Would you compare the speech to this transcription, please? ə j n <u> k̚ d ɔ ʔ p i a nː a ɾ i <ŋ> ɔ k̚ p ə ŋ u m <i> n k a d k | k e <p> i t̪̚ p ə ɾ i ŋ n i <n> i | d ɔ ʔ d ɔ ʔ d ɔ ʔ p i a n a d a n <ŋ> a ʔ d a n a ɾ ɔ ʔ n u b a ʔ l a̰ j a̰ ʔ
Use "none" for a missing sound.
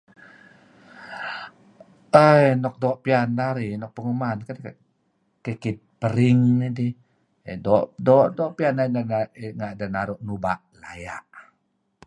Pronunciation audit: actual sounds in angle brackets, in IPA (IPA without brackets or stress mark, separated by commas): ɔ, n, a, k, d, ŋ